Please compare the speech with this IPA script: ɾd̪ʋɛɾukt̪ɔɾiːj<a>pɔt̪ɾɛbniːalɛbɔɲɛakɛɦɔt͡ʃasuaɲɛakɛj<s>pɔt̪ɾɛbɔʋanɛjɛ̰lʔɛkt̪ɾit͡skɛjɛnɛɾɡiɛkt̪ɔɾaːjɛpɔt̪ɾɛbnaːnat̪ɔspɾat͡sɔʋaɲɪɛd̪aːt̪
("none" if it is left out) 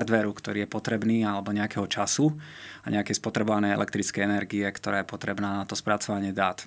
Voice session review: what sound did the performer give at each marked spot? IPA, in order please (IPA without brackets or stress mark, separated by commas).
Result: ɛ, s